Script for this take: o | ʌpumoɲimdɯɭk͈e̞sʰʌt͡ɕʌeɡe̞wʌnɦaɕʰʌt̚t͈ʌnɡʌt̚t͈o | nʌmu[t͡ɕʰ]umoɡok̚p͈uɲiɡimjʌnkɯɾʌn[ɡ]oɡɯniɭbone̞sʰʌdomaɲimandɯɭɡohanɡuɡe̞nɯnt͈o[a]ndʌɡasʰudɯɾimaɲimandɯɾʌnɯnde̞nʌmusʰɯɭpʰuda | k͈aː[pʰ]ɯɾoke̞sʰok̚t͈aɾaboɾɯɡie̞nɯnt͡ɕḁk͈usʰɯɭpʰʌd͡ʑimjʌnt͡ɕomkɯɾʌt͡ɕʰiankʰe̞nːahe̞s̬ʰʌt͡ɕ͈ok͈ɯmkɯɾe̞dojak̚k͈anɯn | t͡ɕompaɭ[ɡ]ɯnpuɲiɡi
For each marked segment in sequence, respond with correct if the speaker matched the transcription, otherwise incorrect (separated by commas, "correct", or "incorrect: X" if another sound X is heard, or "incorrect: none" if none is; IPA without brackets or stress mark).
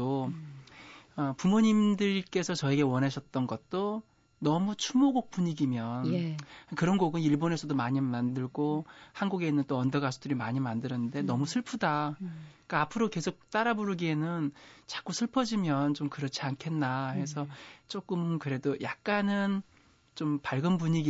correct, correct, incorrect: ʌ, correct, correct